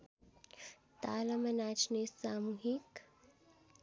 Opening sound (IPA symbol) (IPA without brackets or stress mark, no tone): t̪